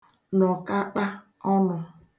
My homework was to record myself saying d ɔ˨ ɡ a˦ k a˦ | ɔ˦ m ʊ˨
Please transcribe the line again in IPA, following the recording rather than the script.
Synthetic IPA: n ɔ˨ k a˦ k͡p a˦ | ɔ˦ n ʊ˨